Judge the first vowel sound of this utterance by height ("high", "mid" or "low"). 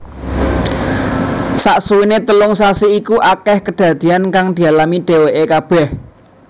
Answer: low